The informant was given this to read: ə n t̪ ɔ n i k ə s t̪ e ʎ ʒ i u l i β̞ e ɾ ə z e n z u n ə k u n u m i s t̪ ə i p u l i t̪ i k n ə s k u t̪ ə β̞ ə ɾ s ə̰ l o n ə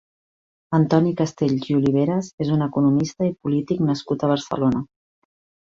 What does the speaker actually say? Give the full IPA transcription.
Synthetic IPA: ə n t̪ ɔ n i k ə s t̪ e ʎ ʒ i u l i β̞ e ɾ ə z e z u n ə k u n u m i s t̪ ə i p u l i t̪ i k n ə s k u t̪ ə β̞ ə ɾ s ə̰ l o n ə